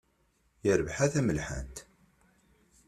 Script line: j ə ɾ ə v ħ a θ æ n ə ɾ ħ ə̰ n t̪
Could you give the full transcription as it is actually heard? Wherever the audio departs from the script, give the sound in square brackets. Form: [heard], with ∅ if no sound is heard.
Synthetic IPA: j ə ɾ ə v ħ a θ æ [m] ə [l] ħ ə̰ n t̪